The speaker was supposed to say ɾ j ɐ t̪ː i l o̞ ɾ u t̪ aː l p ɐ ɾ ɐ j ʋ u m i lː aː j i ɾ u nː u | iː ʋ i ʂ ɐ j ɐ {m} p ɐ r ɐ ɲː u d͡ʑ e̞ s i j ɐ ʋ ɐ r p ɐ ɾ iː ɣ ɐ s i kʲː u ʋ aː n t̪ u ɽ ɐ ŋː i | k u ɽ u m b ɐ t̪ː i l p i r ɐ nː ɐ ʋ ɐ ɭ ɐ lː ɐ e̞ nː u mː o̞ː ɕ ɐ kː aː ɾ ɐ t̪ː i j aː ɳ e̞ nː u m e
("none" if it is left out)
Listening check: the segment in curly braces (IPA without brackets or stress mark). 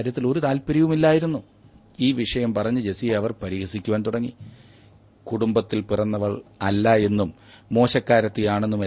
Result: m